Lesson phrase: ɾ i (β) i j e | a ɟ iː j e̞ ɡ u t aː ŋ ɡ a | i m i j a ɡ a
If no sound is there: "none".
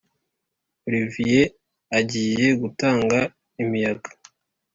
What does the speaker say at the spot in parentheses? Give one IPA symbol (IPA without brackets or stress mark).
v